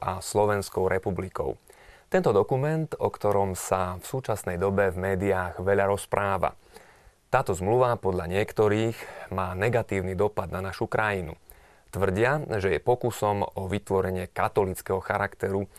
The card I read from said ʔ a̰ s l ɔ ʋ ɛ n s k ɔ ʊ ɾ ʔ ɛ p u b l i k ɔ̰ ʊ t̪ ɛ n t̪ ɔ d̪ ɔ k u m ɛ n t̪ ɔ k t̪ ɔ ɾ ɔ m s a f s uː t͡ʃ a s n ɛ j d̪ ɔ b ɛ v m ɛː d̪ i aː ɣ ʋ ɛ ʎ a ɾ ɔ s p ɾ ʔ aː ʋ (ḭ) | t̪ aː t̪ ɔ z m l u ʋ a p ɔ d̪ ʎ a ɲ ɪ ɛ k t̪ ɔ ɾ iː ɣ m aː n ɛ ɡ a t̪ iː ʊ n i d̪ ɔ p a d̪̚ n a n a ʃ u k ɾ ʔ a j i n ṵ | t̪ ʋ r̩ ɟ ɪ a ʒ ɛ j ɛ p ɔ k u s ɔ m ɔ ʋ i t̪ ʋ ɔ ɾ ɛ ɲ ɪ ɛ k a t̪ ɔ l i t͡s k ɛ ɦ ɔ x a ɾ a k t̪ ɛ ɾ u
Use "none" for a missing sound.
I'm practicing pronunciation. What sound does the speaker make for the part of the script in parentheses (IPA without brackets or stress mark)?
a̰